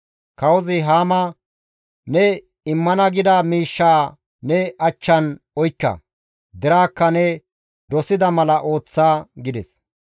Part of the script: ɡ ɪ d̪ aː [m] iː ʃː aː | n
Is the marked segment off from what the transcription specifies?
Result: no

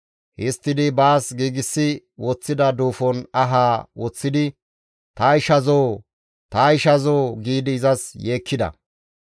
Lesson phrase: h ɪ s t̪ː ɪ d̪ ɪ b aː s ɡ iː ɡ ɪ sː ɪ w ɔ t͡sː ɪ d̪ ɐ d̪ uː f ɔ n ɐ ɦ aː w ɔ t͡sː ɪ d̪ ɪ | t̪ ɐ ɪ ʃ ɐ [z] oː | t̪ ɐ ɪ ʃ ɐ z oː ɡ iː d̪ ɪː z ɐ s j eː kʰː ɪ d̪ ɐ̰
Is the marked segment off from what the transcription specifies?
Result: no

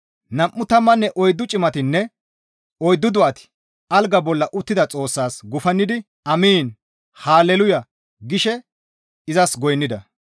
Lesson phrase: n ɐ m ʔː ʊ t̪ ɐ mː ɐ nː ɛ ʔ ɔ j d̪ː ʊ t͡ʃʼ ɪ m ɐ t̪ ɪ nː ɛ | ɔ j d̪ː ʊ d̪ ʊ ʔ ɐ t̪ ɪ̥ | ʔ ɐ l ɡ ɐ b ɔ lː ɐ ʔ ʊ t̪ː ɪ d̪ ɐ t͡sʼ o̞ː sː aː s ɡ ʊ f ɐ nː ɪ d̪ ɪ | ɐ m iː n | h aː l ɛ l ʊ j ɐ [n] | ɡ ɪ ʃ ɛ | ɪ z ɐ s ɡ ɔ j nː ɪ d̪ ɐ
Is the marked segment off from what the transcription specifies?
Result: yes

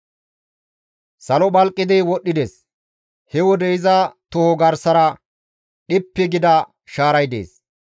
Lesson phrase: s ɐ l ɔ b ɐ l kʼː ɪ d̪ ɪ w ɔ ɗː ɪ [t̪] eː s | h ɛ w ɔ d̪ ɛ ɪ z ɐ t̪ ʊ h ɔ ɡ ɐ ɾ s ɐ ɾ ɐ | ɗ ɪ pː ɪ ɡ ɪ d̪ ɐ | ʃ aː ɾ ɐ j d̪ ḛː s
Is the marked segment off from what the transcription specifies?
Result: yes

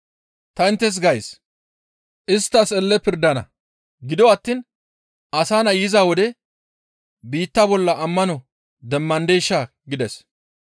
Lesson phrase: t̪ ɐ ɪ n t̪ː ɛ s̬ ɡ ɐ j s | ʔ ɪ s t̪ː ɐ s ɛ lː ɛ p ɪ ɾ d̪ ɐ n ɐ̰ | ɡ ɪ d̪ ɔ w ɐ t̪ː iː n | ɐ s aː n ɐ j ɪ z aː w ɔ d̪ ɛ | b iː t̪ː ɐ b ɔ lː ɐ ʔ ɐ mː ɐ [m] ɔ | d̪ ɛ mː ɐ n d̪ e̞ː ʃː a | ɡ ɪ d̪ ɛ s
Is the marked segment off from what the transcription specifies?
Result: yes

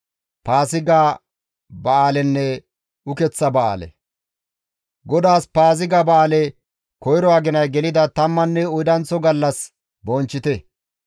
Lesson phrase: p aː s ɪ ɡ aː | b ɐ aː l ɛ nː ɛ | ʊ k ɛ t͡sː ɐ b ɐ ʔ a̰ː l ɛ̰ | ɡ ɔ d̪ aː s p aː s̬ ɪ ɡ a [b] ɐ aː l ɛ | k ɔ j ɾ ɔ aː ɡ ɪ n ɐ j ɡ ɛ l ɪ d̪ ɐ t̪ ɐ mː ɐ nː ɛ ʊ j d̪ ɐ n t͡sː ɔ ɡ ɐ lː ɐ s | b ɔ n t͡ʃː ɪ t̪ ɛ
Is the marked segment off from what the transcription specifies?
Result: no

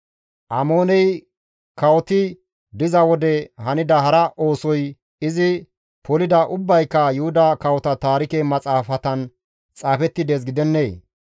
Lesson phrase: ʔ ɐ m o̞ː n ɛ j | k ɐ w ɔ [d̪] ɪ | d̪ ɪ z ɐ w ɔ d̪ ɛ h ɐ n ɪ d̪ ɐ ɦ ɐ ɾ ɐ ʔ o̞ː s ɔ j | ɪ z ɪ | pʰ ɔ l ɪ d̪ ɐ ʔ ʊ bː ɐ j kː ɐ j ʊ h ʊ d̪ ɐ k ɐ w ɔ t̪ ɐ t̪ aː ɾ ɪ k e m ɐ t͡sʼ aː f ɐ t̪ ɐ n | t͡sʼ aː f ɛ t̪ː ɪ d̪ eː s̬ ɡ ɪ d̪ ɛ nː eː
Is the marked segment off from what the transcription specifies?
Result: yes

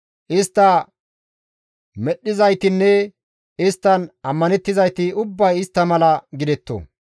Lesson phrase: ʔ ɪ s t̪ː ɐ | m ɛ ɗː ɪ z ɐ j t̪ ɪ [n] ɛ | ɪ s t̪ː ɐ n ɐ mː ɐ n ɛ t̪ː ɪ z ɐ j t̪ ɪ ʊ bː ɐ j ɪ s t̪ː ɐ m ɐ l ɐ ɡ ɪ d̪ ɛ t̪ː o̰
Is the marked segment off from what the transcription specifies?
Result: yes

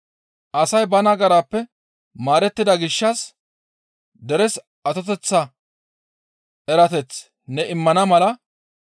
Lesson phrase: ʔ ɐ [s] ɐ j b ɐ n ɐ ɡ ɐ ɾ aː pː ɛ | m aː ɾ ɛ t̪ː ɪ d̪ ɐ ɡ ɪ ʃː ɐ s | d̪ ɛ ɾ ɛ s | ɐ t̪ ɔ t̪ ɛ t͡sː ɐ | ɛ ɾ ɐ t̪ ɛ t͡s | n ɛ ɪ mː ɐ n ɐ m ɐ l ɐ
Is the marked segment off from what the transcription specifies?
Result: no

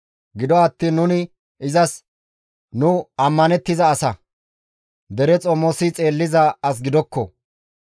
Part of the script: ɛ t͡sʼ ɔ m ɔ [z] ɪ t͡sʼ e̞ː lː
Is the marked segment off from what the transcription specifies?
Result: yes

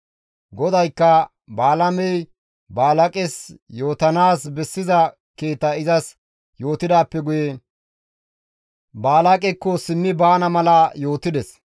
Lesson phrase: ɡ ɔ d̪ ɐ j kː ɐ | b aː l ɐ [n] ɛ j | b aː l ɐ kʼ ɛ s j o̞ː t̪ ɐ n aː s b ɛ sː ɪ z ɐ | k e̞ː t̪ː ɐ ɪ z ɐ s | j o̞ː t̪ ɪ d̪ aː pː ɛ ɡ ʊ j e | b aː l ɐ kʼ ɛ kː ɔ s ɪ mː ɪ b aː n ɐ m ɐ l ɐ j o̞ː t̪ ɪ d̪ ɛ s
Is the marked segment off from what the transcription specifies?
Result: yes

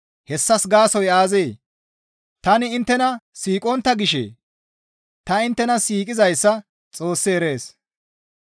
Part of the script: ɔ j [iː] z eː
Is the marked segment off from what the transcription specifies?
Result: yes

